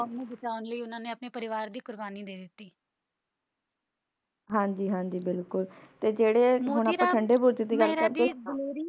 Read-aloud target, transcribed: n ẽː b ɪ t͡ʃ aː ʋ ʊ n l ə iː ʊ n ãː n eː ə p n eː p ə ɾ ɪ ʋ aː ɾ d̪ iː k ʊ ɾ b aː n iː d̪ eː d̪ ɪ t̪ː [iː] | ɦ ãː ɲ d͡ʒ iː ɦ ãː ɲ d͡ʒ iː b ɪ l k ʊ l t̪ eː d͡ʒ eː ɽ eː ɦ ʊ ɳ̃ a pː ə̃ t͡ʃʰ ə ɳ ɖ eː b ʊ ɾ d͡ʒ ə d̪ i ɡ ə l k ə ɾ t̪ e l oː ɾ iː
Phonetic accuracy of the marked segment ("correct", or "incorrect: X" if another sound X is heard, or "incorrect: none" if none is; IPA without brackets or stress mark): correct